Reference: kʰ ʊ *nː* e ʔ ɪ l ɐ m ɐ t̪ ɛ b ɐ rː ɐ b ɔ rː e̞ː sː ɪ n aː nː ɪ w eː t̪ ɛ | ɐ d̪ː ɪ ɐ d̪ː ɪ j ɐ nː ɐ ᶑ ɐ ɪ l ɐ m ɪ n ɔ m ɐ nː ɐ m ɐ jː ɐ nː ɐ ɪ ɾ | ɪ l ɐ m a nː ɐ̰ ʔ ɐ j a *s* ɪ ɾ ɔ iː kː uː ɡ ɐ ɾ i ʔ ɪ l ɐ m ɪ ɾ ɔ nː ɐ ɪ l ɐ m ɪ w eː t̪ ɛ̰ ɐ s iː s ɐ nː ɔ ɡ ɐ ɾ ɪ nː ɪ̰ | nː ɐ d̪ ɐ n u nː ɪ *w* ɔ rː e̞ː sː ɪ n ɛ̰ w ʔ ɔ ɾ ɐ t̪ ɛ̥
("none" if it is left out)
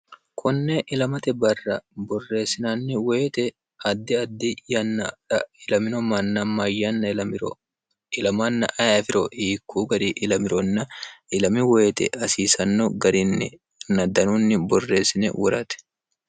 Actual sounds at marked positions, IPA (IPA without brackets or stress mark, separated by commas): nː, f, b